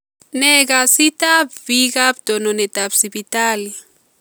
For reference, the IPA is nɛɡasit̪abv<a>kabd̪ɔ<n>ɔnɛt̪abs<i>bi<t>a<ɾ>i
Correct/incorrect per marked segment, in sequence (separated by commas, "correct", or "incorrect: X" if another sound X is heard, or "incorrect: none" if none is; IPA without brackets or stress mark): incorrect: i, correct, correct, correct, incorrect: l